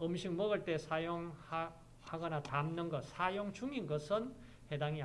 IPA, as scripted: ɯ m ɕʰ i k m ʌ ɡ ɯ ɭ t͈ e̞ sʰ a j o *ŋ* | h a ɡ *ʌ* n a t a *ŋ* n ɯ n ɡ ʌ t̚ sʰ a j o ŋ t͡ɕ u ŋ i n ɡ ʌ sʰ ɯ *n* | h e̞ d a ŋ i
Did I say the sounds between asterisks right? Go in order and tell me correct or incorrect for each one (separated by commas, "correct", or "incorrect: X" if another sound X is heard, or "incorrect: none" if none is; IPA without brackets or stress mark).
correct, correct, incorrect: m, correct